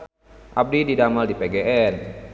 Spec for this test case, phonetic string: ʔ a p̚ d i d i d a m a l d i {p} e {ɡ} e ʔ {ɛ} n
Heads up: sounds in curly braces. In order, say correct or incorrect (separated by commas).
correct, correct, correct